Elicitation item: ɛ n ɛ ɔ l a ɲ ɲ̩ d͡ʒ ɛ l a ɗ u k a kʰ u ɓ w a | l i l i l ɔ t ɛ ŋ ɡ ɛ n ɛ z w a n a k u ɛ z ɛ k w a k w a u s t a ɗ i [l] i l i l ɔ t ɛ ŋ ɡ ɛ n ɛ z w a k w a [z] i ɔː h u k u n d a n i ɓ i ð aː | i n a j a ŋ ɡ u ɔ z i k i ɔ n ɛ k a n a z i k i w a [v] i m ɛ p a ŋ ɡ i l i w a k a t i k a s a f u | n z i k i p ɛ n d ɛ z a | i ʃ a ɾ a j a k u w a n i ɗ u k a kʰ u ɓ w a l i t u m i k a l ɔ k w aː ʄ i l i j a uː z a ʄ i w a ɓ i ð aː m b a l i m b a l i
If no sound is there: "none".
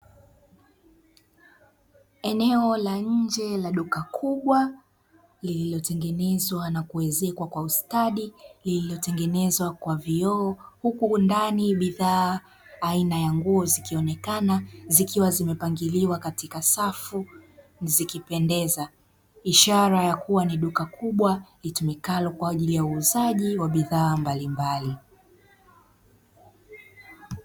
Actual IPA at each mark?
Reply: l, v, z

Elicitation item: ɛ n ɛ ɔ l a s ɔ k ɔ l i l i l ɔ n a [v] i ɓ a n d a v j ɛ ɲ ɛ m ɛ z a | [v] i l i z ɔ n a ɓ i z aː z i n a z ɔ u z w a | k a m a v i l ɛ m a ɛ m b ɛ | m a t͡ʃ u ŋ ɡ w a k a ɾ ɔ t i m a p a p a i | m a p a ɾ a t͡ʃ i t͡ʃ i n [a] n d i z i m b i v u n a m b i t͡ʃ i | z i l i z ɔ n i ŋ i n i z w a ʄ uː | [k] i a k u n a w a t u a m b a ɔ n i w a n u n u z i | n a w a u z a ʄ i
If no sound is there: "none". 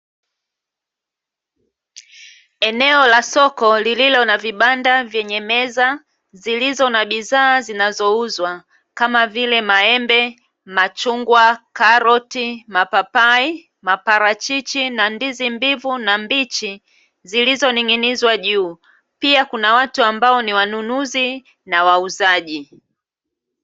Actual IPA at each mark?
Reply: v, z, a, p

